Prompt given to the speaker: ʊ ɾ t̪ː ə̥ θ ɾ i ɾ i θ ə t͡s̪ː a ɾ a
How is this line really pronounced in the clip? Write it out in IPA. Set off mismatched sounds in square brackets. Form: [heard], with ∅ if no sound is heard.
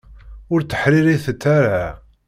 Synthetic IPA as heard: ʊ ɾ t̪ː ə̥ [ħ] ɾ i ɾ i θ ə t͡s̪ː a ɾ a